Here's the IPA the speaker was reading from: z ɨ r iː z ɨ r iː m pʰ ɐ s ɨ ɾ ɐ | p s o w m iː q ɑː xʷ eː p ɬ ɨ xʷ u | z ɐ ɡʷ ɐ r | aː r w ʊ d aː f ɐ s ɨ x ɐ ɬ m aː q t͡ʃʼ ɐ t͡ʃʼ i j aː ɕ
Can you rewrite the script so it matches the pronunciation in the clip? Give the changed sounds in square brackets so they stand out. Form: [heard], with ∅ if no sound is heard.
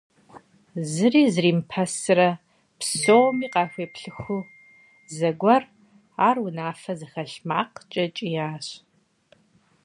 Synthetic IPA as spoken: z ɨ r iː z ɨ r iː m pʰ ɐ s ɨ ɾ ɐ | p s o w m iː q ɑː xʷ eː p ɬ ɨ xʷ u | z ɐ ɡʷ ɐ r | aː r w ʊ [n] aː f ɐ [z] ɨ x ɐ ɬ m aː q t͡ʃʼ ɐ t͡ʃʼ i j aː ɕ